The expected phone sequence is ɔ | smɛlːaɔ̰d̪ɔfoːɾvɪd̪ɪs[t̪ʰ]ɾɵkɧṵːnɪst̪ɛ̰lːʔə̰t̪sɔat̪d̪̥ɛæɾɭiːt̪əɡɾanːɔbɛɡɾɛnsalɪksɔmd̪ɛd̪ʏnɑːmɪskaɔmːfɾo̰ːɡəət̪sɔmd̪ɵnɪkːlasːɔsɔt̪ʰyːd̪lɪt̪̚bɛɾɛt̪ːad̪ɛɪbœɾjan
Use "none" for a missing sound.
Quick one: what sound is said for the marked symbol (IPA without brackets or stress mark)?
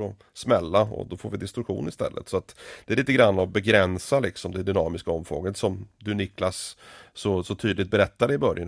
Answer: t̪